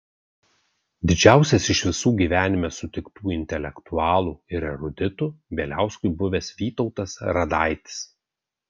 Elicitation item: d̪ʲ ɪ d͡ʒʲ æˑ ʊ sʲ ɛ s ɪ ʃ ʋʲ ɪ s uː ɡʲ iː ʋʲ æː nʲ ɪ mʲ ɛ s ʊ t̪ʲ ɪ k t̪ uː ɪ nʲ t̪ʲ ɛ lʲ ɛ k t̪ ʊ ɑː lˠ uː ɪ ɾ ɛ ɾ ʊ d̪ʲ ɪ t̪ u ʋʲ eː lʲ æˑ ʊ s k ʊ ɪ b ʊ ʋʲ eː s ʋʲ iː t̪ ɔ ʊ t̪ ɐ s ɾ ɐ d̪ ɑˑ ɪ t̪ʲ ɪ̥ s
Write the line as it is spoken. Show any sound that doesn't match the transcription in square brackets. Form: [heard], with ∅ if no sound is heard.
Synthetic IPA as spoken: d̪ʲ ɪ d͡ʒʲ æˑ ʊ sʲ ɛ s ɪ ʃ ʋʲ ɪ s uː ɡʲ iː ʋʲ æː nʲ ɪ mʲ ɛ s ʊ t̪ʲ ɪ k t̪ uː ɪ nʲ t̪ʲ ɛ lʲ ɛ k t̪ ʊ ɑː lˠ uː ɪ ɾ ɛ ɾ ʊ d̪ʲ ɪ t̪ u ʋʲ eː lʲ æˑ ʊ s k ʊ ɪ b ʊ ʋʲ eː s ʋʲ iː t̪ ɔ ʊ t̪ ɐ s ɾ ɐ d̪ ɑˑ ɪ t̪ʲ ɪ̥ s